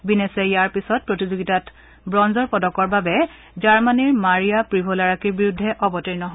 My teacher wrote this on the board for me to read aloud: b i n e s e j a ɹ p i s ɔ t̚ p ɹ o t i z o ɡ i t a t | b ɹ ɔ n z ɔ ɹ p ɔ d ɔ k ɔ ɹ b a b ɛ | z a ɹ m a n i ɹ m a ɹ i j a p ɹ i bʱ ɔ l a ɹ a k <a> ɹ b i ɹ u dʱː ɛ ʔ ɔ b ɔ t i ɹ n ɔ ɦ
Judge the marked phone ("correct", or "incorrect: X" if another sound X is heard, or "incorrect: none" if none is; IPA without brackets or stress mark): incorrect: i